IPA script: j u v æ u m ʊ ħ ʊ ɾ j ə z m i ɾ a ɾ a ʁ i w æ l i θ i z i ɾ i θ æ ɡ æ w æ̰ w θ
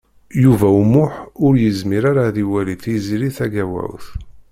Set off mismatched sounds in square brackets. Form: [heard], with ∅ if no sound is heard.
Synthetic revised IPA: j u v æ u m ʊ ħ ʊ ɾ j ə z m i ɾ a ɾ a [ð] i w æ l i θ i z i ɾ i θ æ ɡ æ w æ̰ w θ